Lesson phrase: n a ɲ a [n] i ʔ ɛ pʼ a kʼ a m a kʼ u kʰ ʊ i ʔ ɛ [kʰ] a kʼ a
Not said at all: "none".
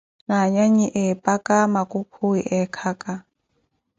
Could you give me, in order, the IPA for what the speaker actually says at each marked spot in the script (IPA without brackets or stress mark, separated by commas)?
ɲ, kʰ